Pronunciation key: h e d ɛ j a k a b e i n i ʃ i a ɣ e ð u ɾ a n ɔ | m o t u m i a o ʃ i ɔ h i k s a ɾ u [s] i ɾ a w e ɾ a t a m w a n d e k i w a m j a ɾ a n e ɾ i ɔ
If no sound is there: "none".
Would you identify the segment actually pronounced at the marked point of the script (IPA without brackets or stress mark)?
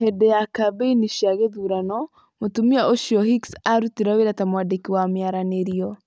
t